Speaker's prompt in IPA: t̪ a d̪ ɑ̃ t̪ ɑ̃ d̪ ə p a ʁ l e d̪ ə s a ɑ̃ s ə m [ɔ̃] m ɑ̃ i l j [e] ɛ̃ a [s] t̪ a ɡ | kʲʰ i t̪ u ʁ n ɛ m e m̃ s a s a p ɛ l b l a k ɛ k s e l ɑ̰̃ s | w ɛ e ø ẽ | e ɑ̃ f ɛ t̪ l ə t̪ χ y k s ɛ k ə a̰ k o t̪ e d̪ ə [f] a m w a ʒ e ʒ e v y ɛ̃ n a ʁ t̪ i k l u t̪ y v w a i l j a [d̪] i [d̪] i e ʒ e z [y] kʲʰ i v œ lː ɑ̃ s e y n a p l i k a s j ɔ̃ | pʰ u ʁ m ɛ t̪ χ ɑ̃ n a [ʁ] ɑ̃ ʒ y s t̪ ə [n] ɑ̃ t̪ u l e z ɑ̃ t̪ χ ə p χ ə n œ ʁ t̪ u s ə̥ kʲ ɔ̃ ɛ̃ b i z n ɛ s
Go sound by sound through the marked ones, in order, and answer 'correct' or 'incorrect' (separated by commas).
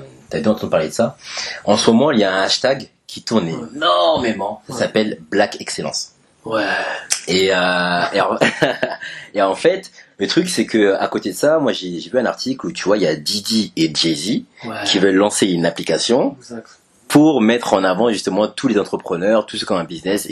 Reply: incorrect, incorrect, incorrect, incorrect, correct, correct, incorrect, incorrect, incorrect